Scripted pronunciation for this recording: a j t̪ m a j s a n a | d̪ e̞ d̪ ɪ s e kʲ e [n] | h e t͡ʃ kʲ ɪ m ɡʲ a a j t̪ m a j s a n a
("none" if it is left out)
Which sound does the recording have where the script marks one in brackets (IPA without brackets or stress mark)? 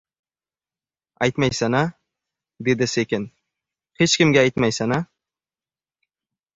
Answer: n